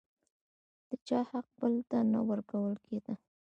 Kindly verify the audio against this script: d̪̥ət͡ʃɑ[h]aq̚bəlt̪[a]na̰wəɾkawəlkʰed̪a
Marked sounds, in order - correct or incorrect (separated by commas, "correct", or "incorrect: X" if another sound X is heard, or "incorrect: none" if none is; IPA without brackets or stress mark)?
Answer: correct, correct